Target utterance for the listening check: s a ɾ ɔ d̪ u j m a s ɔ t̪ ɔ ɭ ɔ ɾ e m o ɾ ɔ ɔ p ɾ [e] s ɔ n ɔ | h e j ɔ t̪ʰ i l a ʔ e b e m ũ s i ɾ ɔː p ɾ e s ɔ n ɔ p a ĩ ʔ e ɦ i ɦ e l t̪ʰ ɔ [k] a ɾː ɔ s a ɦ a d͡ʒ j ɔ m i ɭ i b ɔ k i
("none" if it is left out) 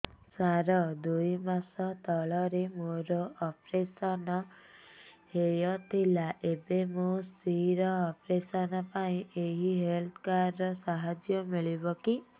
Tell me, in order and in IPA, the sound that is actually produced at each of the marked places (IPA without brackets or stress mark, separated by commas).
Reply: e, k